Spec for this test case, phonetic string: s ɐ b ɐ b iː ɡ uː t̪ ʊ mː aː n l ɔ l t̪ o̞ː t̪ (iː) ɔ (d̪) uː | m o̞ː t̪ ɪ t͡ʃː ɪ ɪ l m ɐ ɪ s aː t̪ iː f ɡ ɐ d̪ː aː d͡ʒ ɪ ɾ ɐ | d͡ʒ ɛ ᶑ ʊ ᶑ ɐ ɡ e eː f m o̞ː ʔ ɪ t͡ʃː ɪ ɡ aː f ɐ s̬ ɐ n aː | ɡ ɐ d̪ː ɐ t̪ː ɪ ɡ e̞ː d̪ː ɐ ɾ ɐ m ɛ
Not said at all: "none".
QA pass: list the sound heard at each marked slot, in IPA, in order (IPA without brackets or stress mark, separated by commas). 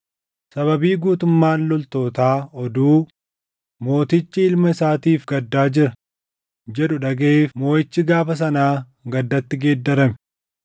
aː, d̪